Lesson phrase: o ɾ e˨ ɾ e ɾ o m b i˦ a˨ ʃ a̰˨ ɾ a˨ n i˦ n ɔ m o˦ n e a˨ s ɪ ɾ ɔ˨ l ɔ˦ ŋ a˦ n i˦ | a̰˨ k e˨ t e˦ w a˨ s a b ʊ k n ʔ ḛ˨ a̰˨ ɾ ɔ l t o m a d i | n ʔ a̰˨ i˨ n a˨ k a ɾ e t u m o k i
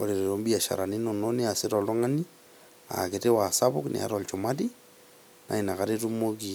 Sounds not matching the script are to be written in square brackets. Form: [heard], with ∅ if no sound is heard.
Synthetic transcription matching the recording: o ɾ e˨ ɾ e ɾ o m b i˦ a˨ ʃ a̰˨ ɾ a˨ n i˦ n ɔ [n] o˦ n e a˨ s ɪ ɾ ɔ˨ l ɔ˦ ŋ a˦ n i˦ | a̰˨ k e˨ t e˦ w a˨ s a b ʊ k n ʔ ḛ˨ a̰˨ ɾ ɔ l [t͡ʃ] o m a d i | n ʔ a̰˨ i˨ n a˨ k a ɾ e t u m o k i

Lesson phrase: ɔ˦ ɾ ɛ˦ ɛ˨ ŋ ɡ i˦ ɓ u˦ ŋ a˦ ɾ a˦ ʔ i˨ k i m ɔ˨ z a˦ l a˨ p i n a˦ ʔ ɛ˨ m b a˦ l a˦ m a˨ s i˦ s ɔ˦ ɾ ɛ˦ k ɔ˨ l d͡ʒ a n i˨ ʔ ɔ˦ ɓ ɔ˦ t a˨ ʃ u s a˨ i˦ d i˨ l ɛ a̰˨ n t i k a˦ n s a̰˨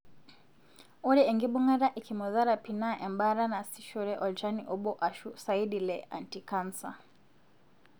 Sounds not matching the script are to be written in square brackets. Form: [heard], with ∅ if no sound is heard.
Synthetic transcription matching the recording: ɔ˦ ɾ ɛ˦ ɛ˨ ŋ ɡ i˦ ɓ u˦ ŋ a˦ ɾ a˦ ʔ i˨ k i m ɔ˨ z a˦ [ɾ] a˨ p i n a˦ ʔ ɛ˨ m b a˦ [ɾ] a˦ [n] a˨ s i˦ [ʃ] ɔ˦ ɾ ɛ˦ [ʔ] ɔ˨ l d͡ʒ a n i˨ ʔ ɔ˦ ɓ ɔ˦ [ʔ] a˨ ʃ u s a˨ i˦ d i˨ l ɛ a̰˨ n t i k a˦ n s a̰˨

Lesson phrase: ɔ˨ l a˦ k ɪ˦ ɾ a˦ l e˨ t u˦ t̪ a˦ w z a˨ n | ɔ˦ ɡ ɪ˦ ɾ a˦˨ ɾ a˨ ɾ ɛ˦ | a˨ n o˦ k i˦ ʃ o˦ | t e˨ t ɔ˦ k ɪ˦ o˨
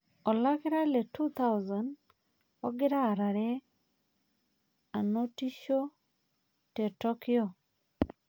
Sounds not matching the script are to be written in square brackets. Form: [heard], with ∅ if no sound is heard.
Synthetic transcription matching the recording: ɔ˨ l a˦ k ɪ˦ ɾ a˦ l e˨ t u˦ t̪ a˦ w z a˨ n | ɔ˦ ɡ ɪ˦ ɾ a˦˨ ɾ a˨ ɾ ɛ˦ | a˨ n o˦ [t] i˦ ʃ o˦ | t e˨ t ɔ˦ k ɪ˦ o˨

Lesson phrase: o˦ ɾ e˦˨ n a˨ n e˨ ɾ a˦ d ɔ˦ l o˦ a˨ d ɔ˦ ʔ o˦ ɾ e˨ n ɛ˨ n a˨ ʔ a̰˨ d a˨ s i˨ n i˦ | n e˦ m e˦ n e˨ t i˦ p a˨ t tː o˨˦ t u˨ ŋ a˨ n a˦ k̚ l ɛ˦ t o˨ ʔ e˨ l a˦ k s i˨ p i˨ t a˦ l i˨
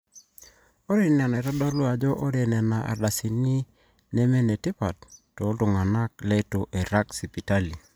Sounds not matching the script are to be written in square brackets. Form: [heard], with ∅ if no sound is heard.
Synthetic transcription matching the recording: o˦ ɾ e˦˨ n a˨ n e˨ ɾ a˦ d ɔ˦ l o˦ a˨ [d͡ʒ] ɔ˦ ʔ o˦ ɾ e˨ n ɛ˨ n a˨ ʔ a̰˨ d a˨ s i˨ n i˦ | n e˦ m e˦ n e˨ t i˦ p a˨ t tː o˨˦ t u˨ ŋ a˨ n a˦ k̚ l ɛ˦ t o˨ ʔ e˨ [ɾ] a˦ k s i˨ p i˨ t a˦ l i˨

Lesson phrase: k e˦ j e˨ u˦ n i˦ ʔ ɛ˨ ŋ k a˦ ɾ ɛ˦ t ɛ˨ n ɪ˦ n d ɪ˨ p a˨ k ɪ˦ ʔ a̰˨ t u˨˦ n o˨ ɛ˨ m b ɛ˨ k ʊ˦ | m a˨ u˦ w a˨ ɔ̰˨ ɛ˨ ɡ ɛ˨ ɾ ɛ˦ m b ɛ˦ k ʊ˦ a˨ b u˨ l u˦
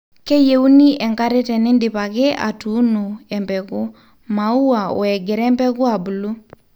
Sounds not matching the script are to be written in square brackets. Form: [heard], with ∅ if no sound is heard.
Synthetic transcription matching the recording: k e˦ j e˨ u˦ n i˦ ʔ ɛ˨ ŋ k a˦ ɾ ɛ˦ t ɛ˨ n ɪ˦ n d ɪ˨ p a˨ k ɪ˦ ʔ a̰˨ t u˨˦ n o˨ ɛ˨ m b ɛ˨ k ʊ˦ | m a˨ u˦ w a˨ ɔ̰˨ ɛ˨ ɡ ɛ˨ ɾ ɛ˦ m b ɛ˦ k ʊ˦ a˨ b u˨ l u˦

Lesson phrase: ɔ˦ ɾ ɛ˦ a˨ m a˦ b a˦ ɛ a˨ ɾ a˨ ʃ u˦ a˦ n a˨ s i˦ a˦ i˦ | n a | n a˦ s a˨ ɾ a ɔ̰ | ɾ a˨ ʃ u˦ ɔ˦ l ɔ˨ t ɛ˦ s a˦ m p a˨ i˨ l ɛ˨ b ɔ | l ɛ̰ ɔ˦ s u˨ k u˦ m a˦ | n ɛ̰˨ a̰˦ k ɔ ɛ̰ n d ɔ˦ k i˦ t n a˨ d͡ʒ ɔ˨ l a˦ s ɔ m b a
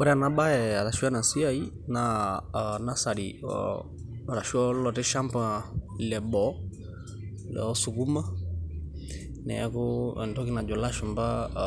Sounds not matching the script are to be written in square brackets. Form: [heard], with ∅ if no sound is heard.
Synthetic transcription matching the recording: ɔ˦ ɾ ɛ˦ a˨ [n] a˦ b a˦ ɛ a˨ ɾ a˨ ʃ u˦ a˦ n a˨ s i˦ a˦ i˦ | n a | n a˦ s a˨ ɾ [i] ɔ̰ | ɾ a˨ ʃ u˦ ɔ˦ l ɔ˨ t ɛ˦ [ʃ] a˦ m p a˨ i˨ l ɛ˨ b ɔ | l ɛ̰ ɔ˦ s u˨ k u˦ m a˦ | n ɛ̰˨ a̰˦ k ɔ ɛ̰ n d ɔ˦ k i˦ [∅] n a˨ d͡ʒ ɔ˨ l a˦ [ʃ] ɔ m b a

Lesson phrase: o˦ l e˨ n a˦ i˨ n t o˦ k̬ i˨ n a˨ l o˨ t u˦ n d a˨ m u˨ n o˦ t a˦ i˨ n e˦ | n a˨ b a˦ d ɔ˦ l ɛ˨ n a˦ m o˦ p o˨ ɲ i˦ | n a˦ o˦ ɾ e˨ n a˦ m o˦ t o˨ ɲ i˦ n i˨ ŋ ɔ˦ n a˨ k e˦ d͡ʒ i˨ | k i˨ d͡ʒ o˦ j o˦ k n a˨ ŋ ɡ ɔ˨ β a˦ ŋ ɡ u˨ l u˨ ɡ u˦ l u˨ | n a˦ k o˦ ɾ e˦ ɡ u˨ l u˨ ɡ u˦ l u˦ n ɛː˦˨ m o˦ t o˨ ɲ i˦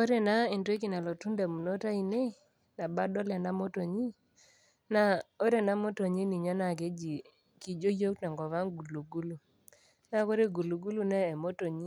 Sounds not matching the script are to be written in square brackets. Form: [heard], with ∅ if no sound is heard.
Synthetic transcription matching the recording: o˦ [ɾ] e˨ n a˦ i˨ n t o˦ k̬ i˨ n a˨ l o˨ t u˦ n d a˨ m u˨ n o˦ t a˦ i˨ n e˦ | n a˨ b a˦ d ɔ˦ l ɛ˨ n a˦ m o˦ [t] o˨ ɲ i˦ | n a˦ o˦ ɾ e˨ n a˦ m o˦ t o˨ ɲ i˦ n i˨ [ɲ] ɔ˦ n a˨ k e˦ d͡ʒ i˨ | k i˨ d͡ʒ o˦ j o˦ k n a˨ ŋ ɡ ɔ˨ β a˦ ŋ ɡ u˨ l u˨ ɡ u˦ l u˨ | n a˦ k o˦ ɾ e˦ ɡ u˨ l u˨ ɡ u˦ l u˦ n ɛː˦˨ m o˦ t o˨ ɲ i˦

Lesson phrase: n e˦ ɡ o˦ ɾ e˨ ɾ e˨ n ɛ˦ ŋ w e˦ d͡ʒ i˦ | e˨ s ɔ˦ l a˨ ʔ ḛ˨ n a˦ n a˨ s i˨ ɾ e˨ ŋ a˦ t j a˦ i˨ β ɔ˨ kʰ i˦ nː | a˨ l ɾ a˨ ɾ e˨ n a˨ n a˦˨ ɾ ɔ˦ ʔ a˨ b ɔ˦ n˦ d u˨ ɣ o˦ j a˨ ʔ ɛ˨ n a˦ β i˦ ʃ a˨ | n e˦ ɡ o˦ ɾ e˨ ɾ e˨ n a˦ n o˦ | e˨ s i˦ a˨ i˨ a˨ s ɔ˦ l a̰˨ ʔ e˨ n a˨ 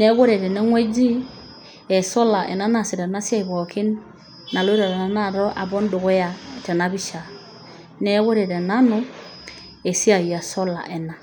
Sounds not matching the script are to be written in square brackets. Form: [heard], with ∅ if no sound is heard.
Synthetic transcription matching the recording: n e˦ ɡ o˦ ɾ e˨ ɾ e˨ n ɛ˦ ŋ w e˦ d͡ʒ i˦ | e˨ s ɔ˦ l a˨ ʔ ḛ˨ n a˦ n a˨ s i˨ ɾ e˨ [n] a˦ [s] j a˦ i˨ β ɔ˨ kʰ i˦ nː | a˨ l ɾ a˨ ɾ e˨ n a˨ n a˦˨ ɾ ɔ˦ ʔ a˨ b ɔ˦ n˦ d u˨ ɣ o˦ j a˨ [t] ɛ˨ n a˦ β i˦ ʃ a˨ | n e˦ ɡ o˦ ɾ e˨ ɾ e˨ n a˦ n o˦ | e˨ s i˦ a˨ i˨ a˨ s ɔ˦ l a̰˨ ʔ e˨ n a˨

